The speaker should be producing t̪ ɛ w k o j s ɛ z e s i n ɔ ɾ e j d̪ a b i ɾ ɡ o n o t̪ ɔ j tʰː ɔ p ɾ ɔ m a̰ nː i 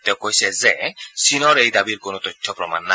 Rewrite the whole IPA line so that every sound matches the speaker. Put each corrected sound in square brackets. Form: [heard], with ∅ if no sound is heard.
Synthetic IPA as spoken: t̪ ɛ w k o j s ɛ z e s i n ɔ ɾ e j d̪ a b i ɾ [k] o n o t̪ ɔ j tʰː ɔ p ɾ ɔ m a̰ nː [a]